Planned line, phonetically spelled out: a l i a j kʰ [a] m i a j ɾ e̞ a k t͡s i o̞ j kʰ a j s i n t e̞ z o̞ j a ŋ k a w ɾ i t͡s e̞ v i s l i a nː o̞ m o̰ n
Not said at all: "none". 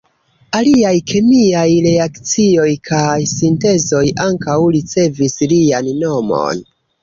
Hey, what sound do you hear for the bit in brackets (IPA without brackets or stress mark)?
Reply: e